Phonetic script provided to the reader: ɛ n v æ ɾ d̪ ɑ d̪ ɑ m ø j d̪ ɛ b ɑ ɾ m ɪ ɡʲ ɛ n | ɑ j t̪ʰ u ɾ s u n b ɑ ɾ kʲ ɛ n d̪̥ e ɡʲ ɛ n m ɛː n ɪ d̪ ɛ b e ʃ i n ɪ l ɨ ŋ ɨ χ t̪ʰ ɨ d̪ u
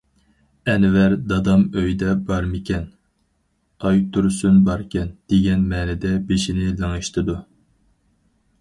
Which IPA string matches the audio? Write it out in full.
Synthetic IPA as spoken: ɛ n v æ ɾ d̪ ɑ d̪ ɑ m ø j d̪ ɛ b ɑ ɾ m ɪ kʲ ɛ n | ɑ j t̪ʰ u ɾ s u n b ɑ ɾ kʲ ɛ n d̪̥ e ɡʲ ɛ n m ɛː n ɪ d̪ ɛ b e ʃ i n ɪ l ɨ ŋ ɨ ʃ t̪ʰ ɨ d̪ u